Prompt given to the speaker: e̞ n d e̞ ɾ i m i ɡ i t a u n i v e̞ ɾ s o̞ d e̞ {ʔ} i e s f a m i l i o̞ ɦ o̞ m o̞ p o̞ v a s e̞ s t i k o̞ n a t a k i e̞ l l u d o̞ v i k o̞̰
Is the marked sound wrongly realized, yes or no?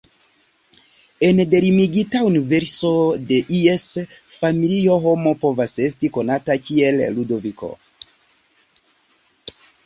no